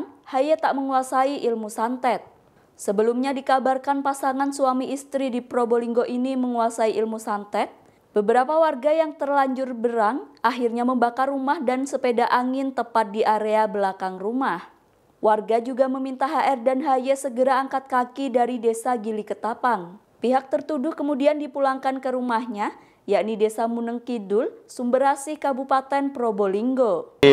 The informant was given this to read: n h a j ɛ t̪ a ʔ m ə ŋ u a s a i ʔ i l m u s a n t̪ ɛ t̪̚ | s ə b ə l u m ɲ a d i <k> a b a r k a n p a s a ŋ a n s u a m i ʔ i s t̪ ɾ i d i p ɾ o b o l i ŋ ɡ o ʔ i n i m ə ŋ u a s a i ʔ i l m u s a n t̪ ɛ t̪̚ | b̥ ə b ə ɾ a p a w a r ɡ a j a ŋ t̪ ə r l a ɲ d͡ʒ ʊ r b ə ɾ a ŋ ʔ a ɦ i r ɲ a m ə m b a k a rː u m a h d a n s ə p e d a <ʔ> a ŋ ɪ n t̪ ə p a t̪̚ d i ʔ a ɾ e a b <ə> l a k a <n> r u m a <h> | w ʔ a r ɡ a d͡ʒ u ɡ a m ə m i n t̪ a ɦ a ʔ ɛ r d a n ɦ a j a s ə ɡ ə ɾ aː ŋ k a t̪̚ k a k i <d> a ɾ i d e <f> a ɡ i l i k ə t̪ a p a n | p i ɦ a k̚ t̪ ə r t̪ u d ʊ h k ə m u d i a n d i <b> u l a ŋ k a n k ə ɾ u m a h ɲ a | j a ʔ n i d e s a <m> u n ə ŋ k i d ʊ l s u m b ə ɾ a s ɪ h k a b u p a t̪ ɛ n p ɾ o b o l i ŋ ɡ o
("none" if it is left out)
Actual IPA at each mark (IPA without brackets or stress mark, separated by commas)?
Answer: k, ʔ, ə, ŋ, h, d, s, p, m